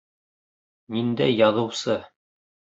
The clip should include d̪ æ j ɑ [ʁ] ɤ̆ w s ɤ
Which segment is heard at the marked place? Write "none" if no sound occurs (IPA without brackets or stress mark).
ð